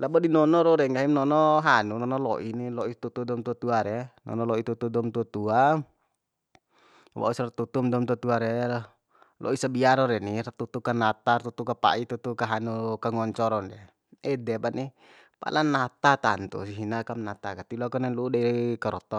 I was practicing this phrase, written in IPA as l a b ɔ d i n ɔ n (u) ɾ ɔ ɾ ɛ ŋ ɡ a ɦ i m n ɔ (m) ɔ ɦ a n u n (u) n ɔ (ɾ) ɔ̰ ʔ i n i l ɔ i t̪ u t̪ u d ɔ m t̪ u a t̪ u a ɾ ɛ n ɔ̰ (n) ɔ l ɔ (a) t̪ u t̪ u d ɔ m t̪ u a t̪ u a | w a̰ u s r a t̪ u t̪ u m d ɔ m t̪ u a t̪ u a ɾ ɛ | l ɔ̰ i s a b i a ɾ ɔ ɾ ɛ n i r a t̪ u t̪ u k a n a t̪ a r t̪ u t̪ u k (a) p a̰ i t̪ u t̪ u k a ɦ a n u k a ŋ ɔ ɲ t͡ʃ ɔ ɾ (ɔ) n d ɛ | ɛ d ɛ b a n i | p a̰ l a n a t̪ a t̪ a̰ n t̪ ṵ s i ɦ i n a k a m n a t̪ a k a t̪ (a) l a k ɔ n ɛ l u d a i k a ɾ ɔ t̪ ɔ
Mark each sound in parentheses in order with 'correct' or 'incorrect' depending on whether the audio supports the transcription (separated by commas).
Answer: incorrect, incorrect, incorrect, incorrect, correct, incorrect, correct, correct, incorrect